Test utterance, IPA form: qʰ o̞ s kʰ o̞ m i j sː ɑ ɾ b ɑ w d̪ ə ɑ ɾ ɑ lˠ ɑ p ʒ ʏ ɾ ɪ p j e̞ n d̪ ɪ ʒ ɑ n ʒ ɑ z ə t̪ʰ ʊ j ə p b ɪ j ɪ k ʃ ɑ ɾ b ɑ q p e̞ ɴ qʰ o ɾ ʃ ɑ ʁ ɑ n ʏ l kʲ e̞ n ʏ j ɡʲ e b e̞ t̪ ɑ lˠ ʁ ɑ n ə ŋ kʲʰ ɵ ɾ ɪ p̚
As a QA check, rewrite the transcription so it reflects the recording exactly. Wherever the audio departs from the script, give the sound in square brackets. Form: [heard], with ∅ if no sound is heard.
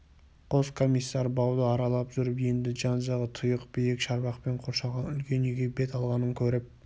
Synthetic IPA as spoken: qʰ o̞ s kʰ o̞ m i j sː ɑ ɾ b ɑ w d̪ ə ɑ ɾ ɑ lˠ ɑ p ʒ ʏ ɾ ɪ p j e̞ n d̪ ɪ ʒ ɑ n ʒ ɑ [ʁ] ə t̪ʰ ʊ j ə [q] b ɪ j ɪ k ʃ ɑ ɾ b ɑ q p e̞ ɴ qʰ o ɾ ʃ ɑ ʁ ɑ n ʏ l kʲ e̞ n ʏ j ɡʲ e b e̞ t̪ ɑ lˠ ʁ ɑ n ə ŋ kʲʰ ɵ ɾ ɪ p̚